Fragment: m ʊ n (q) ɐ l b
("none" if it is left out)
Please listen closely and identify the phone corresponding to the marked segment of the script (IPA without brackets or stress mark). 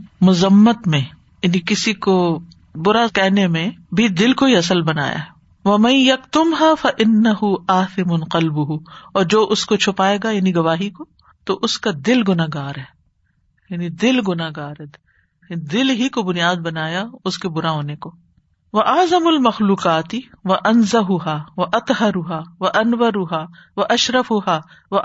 q